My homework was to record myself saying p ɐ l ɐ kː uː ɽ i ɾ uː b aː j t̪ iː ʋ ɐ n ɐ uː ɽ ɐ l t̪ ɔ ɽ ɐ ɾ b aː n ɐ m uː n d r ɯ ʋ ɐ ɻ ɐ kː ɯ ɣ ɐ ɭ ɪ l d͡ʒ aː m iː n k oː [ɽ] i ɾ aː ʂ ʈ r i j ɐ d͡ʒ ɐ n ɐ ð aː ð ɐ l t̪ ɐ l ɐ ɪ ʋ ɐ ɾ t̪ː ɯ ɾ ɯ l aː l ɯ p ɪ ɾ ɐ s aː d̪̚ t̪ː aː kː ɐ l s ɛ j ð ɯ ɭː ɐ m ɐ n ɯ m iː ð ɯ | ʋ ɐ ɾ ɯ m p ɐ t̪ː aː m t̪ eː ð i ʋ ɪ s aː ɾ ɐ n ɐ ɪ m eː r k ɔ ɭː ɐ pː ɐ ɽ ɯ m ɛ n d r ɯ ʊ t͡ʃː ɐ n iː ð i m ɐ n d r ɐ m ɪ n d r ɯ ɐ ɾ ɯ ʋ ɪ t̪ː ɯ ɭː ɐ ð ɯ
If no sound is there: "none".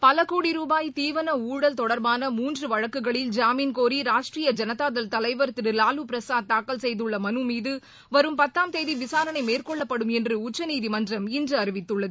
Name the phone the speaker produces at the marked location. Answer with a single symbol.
ɾ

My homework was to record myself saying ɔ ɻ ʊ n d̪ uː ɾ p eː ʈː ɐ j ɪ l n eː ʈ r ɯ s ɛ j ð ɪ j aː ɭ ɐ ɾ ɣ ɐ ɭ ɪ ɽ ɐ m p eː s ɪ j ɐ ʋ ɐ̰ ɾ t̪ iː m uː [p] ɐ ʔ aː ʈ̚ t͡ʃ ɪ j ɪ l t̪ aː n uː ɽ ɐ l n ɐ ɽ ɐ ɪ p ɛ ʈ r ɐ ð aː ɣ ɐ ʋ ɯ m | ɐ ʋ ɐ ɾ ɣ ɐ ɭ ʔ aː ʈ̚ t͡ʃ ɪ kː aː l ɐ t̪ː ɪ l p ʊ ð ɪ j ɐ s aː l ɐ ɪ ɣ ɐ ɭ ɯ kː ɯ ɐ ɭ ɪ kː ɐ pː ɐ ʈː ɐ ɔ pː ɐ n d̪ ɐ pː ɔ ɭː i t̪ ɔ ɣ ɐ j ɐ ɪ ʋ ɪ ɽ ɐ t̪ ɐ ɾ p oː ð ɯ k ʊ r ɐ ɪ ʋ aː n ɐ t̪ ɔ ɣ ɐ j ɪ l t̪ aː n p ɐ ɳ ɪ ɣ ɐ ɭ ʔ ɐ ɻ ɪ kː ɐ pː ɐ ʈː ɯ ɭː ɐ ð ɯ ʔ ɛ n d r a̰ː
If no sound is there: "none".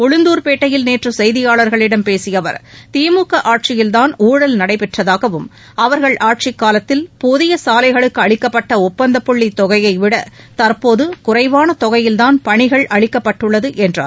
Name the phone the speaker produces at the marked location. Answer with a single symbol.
k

